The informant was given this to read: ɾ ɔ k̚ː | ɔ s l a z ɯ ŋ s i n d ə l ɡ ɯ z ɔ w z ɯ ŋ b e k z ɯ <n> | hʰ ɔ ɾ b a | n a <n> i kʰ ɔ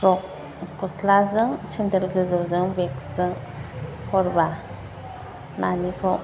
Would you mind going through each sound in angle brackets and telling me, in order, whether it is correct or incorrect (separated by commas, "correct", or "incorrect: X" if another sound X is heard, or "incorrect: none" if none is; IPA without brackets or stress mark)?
incorrect: ŋ, correct